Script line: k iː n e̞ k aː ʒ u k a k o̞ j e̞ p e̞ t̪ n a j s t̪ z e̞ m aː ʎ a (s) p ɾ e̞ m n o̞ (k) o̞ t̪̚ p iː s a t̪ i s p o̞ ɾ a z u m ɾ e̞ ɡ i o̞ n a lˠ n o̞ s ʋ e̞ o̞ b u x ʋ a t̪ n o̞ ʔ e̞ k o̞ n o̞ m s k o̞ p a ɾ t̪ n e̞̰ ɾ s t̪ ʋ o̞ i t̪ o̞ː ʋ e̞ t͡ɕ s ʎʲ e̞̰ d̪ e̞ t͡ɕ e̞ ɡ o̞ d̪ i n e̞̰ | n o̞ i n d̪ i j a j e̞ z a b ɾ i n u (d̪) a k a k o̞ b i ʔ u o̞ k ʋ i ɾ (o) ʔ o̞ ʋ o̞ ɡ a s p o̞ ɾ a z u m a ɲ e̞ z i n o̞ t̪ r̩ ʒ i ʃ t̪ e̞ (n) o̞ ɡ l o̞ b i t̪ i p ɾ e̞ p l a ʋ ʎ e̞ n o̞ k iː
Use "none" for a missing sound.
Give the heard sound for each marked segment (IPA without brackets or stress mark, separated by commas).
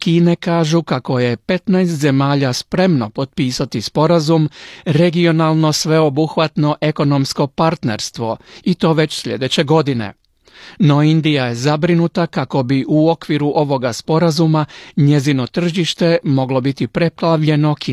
s, p, t̪, u, m